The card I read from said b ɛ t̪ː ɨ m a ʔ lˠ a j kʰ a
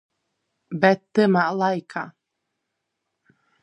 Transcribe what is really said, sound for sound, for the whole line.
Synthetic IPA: b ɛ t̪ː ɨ m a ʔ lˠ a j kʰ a

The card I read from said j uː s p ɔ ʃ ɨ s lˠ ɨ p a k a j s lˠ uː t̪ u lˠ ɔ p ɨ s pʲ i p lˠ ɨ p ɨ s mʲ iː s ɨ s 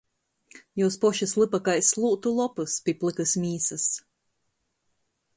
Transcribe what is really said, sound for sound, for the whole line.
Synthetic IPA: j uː s p ɔ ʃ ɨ s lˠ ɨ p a k a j s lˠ uː t̪ u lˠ ɔ p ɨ s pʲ i p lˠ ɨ k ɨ s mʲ iː s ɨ s

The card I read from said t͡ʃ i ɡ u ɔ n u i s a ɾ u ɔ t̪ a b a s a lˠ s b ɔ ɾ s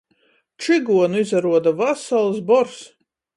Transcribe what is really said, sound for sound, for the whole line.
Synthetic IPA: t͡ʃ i ɡ u ɔ n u i z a ɾ u ɔ d̪ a v a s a lˠ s b ɔ ɾ s

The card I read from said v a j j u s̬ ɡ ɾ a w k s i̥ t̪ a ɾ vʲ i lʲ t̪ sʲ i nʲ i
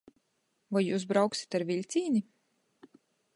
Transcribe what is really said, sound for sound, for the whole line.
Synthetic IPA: v a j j uː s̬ b ɾ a w k s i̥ t̪ a ɾ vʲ i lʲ t̪ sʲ iː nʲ i

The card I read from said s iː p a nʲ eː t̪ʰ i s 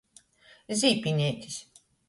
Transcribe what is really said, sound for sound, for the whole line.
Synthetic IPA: z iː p i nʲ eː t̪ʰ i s

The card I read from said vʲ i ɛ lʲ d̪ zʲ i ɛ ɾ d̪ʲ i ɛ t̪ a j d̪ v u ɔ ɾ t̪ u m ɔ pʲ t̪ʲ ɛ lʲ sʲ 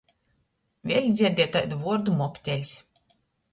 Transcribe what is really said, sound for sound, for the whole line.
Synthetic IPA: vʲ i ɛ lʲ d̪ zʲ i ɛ ɾ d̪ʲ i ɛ t̪ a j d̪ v u ɔ ɾ d̪ u m ɔ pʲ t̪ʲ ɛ lʲ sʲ

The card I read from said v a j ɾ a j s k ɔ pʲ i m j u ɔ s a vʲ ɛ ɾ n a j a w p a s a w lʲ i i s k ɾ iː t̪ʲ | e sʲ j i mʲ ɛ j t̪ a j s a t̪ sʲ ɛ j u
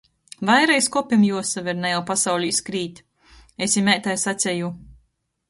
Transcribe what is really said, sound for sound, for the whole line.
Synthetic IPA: v a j ɾ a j s k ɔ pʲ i m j u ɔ s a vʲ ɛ ɾ n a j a w p a s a w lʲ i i s k ɾ iː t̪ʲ | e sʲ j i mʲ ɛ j t̪ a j s a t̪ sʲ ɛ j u

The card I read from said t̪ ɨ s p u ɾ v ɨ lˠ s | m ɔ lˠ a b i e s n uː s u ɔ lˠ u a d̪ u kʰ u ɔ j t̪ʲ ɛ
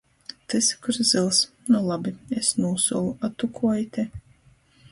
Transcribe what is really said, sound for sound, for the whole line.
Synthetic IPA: t̪ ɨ s k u ɾ z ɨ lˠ s | n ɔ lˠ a b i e s n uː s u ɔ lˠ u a t̪ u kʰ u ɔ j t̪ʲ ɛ

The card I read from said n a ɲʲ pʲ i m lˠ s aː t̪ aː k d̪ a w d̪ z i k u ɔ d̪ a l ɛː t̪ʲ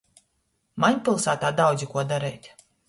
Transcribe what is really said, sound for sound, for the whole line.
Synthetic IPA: m a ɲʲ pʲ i lˠ s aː t̪ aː d̪ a w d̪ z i k u ɔ d̪ a ɾ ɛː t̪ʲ

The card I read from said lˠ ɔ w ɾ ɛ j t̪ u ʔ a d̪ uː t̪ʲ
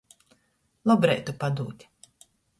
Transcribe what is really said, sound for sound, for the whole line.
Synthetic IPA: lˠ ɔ b ɾ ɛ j t̪ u p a d̪ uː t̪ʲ

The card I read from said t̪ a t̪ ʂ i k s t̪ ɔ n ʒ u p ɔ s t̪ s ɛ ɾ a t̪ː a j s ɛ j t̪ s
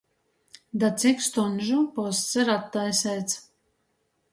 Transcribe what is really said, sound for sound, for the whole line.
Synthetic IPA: d̪ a t̪ s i k s t̪ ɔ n ʒ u p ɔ s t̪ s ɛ ɾ a t̪ː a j s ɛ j t̪ s

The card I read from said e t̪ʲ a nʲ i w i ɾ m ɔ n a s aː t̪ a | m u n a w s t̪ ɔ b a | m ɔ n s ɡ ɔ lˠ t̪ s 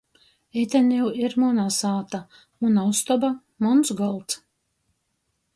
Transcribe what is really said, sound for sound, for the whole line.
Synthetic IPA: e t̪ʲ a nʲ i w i ɾ m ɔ n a s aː t̪ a | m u n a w s t̪ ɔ b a | m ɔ n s ɡ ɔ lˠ t̪ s

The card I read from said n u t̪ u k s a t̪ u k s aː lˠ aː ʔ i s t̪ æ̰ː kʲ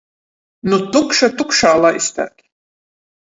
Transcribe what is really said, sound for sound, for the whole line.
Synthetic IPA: n u t̪ u k ʃ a t̪ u k ʃ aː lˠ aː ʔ i s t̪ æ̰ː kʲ

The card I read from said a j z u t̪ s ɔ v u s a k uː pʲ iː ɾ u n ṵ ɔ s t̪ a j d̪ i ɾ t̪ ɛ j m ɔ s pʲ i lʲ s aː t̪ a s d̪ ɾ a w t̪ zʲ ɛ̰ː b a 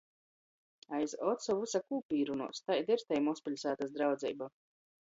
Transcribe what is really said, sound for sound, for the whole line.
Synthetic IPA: a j z ɔ t̪ s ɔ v u s a k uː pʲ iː ɾ u n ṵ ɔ s t̪ a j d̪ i ɾ t̪ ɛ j m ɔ s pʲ i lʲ s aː t̪ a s d̪ ɾ a w d̪ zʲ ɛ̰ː b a

